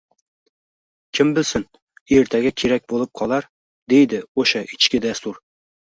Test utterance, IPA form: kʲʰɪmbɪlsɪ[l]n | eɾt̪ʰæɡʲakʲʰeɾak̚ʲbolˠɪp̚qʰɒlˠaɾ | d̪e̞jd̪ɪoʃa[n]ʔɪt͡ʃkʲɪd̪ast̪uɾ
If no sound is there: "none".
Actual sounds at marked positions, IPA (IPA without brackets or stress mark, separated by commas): none, none